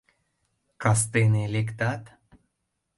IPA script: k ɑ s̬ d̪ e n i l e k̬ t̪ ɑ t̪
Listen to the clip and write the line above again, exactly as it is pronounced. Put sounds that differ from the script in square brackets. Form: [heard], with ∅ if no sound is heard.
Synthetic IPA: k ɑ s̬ [t̪] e n [e] l e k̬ t̪ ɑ t̪

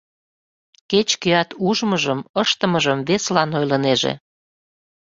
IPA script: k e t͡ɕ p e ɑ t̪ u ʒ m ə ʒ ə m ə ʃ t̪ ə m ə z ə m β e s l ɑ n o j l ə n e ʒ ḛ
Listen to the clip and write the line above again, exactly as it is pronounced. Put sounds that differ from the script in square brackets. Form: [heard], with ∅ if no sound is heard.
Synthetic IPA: k e t͡ɕ [k] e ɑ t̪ u ʒ m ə ʒ ə m ə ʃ t̪ ə m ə [ʒ] ə m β e s l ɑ n o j l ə n e ʒ ḛ

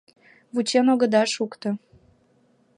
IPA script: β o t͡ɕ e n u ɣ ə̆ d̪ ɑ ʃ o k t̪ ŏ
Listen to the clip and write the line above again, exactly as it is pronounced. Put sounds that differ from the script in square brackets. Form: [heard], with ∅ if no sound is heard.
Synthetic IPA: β [u] t͡ɕ e n [o] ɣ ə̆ d̪ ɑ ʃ [u] k t̪ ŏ

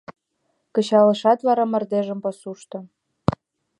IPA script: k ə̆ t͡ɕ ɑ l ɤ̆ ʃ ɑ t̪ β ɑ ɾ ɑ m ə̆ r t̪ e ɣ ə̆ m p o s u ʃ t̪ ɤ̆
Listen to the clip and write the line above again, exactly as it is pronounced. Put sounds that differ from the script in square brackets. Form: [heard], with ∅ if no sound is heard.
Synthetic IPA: k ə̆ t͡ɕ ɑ l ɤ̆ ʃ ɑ t̪ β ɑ ɾ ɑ m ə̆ r [d̪] e [ʒ] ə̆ m p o s u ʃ t̪ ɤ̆

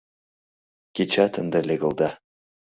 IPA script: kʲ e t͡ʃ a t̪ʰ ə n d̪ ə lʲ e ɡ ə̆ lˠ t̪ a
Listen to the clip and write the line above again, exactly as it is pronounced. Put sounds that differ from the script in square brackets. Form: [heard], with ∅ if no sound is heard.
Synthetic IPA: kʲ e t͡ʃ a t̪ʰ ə n d̪ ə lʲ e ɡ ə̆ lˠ [d̪] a

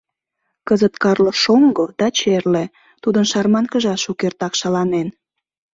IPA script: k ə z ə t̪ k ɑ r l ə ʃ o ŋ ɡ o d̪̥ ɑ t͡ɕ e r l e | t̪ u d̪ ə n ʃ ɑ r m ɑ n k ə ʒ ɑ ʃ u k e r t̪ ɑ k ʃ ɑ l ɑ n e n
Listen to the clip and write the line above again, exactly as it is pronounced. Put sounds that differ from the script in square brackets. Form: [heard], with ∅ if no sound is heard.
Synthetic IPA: k ə z ə t̪ k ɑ r l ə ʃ o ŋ ɡ o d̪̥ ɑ t͡ɕ e r l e | t̪ u d̪ ə n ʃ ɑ r m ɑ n k ə ʒ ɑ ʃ u k e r t̪ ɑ k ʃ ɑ l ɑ n e n

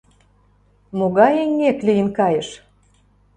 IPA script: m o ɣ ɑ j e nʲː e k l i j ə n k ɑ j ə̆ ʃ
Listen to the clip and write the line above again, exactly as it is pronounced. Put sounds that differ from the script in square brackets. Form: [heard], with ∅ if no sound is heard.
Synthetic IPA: m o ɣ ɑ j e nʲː e k l i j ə n k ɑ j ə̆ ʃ

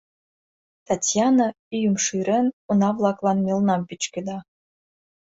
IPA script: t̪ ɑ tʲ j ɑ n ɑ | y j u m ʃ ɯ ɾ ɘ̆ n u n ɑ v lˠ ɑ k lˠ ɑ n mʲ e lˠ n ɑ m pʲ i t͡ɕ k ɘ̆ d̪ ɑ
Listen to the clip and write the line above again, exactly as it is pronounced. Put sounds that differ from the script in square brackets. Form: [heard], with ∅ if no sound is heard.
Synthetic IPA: t̪ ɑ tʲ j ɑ n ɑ | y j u m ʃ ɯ ɾ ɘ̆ n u n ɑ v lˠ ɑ k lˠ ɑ n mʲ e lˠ n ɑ m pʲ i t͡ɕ k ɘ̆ d̪ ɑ

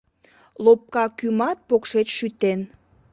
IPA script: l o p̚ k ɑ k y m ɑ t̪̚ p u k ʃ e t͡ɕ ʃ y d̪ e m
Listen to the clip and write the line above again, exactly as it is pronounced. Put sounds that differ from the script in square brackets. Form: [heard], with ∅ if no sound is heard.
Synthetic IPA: l o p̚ k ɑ k y m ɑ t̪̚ p [o] k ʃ e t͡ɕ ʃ y [t̪] e [n]

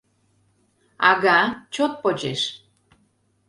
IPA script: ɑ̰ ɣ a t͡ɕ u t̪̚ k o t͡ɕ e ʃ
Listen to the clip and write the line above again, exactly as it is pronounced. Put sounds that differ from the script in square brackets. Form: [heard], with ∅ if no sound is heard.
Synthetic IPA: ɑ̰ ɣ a t͡ɕ [o] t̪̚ [p] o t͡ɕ e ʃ

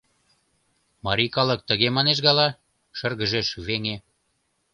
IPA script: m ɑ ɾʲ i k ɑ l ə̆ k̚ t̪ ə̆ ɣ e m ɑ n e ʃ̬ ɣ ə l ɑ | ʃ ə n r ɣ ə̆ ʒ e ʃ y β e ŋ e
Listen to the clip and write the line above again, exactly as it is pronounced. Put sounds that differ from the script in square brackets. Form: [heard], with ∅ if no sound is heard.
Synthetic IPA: m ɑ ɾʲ i k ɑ l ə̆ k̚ t̪ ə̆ ɣ e m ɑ n e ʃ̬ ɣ [ɑ] l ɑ | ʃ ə [∅] r ɣ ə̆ ʒ e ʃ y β e ŋ e

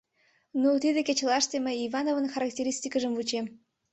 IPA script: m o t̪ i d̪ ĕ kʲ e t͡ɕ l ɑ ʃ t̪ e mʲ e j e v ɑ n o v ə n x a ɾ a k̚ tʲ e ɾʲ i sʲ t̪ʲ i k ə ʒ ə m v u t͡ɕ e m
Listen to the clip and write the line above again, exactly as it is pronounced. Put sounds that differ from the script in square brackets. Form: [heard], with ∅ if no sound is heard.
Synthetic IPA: [n] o t̪ i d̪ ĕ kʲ e t͡ɕ l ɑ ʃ t̪ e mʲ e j [i] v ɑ n o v ə n x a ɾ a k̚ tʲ e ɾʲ i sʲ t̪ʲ i k ə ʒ ə m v u t͡ɕ e m

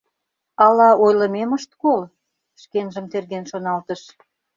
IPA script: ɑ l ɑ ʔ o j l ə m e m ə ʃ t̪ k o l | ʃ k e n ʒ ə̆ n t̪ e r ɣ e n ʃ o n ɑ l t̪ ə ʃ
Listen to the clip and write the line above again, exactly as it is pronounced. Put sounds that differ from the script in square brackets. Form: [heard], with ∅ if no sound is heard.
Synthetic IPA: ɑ l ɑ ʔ o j l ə m e m ə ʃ t̪ k o l | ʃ k e n ʒ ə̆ [m] t̪ e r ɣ e n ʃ o n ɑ l t̪ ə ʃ

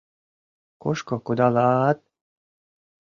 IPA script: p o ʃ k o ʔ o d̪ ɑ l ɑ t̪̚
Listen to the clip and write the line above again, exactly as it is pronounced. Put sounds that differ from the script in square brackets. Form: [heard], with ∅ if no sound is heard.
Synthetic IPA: [k] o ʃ k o [k] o d̪ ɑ l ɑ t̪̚

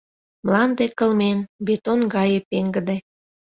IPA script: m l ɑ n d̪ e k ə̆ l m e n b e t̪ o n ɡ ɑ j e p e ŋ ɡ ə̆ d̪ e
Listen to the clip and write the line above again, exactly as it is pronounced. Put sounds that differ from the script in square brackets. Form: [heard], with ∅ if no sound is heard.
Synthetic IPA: m l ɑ n d̪ e k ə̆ l m e n b e t̪ o n ɡ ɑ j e p e ŋ ɡ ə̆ d̪ e

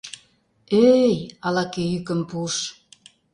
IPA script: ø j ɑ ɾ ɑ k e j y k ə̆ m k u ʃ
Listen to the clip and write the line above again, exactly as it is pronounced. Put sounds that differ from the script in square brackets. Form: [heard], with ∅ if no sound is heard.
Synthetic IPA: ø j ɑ [l] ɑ k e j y k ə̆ m [p] u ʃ

